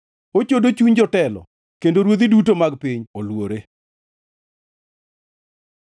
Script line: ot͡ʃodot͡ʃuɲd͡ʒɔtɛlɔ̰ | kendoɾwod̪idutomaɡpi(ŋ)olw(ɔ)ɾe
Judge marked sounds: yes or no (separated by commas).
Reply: no, no